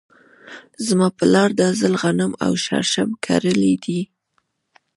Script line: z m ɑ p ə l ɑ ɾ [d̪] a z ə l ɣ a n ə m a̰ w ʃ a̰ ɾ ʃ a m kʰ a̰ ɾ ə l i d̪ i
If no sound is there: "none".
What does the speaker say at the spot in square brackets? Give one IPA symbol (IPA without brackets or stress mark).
d̪